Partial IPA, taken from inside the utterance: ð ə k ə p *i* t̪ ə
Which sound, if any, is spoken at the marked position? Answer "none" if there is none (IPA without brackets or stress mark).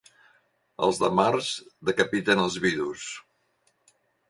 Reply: i